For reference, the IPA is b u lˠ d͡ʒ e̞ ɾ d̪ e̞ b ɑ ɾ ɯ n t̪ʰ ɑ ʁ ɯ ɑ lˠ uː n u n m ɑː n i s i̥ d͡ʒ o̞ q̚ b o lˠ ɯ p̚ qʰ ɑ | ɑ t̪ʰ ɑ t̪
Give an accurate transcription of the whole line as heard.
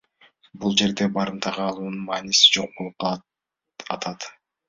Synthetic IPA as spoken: b u lˠ d͡ʒ e̞ ɾ d̪ e̞ b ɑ ɾ ɯ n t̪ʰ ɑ ʁ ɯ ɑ lˠ uː n u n m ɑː n i s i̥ d͡ʒ o̞ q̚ b o lˠ u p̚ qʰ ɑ | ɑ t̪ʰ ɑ t̪